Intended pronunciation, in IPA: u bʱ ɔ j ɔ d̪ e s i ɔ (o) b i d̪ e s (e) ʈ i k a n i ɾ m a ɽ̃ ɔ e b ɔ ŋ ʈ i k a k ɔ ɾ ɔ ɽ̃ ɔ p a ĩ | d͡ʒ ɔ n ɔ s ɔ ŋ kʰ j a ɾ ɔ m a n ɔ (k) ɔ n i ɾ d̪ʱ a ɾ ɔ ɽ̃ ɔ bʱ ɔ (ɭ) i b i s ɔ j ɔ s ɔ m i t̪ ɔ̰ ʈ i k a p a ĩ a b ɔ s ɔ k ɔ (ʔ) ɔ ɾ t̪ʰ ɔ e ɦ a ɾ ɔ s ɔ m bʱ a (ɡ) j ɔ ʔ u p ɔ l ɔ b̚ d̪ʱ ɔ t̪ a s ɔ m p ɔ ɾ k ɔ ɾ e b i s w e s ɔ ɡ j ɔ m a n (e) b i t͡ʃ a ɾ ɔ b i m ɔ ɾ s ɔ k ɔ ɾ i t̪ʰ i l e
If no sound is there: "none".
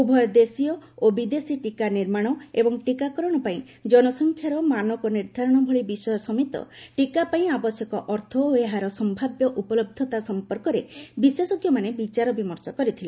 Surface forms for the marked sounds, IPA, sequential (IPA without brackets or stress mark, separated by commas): o, i, k, ɭ, ʔ, b, e